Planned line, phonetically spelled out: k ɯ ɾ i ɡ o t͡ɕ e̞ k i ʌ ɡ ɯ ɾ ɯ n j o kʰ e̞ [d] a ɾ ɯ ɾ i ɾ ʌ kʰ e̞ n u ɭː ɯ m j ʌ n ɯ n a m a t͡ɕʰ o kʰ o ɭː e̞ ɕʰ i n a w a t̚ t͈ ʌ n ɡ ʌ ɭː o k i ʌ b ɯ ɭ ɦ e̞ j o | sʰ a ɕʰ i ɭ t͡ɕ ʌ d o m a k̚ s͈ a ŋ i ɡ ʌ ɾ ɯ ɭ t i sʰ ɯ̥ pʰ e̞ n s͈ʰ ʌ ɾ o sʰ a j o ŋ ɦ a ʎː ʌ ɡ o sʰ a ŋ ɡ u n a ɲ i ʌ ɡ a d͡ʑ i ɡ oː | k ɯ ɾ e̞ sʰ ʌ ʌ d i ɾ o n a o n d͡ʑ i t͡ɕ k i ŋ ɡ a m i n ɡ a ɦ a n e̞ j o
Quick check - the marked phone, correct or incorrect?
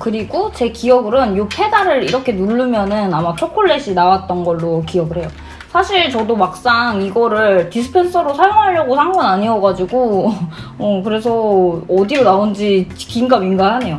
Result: correct